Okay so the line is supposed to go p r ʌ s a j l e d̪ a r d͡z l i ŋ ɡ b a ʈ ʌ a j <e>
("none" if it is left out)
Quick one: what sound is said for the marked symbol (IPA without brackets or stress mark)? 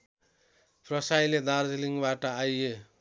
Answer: e